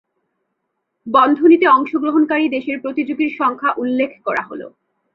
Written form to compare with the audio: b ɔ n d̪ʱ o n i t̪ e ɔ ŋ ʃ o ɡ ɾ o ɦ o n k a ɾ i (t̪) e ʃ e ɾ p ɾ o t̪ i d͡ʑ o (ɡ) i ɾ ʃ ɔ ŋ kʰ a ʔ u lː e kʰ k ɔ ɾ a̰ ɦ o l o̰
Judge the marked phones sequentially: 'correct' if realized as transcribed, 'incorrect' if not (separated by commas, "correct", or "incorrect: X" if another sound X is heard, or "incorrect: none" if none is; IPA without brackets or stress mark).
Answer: incorrect: d̪, correct